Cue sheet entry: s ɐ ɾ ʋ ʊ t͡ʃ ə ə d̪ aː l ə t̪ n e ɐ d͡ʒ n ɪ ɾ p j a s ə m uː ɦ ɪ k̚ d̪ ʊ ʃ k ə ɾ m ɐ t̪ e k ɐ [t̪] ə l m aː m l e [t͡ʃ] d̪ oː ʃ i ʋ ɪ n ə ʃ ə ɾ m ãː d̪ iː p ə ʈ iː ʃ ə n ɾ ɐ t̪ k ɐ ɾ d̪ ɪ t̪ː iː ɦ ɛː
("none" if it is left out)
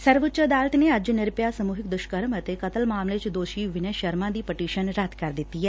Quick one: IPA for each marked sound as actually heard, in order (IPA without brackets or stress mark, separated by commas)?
t̪, t͡ʃ